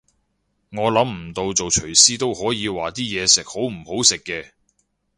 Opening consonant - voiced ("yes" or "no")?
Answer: yes